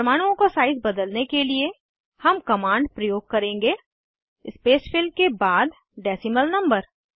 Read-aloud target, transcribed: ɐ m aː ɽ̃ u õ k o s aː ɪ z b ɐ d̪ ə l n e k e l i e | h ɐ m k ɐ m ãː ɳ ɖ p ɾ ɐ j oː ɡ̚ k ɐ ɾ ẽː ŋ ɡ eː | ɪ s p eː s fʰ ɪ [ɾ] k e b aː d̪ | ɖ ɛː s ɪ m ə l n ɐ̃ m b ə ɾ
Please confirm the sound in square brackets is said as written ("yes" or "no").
no